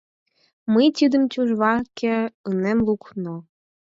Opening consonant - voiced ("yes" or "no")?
yes